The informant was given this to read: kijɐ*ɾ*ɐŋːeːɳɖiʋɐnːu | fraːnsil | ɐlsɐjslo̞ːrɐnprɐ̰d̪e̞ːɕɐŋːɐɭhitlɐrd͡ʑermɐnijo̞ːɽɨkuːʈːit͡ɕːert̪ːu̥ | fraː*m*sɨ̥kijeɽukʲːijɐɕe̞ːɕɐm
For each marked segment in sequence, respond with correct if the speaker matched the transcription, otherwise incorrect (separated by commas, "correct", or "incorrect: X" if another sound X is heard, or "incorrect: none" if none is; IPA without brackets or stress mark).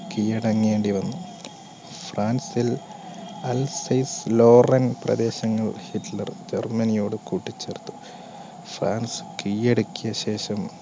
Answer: incorrect: ɽ, incorrect: n